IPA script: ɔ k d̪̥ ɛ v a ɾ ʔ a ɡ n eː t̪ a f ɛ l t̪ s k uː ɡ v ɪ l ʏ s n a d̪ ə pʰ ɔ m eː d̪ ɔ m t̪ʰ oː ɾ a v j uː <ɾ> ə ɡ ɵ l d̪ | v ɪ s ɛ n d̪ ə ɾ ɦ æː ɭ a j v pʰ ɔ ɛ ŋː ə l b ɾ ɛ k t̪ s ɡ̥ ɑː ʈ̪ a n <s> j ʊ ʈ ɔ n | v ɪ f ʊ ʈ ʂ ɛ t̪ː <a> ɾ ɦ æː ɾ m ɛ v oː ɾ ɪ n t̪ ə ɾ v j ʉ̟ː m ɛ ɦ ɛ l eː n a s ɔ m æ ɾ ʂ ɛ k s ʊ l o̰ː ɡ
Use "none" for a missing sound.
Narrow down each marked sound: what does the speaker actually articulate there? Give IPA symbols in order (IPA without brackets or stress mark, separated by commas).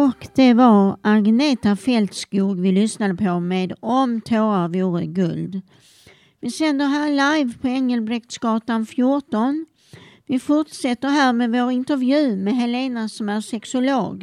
ɾ, f, ə